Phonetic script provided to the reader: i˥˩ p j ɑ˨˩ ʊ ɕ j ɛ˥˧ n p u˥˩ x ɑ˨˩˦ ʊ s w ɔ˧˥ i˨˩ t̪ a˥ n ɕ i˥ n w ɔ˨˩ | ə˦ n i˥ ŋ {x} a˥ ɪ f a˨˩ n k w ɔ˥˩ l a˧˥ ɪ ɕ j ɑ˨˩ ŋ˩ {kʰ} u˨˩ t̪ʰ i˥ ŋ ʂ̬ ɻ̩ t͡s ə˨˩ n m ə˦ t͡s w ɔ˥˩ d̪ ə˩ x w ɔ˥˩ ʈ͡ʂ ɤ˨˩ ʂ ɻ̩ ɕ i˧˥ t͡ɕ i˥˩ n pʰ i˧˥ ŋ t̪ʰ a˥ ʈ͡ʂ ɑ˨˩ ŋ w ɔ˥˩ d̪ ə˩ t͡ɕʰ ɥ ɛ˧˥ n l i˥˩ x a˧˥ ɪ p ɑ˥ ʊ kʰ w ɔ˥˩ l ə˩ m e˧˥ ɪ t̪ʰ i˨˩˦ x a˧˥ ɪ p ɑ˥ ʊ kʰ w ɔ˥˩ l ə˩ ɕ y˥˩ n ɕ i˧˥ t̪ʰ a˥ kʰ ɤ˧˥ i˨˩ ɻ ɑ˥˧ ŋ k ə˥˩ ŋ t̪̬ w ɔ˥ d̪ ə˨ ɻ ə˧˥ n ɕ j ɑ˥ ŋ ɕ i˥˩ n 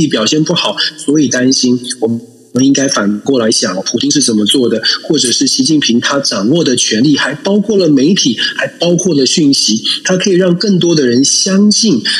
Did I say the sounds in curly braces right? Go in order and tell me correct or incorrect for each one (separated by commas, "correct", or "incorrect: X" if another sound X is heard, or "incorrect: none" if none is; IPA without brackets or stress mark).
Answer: incorrect: k, incorrect: pʰ